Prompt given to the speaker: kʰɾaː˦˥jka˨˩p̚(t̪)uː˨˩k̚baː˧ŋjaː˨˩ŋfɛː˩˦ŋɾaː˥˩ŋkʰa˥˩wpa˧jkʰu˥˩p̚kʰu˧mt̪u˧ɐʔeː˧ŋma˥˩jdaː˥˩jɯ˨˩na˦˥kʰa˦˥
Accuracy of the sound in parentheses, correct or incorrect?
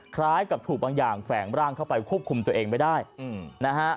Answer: incorrect